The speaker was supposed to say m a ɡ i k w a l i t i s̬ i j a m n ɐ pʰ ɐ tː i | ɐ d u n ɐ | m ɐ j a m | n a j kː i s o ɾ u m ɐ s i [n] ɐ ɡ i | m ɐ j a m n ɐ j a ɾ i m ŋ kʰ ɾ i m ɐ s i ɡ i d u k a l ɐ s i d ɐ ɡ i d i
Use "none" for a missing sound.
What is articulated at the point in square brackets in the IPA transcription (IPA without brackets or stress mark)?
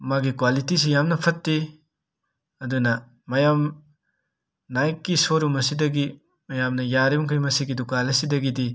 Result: d